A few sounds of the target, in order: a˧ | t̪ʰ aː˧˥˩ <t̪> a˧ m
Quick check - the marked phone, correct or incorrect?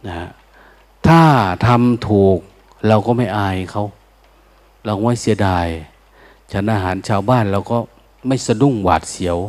incorrect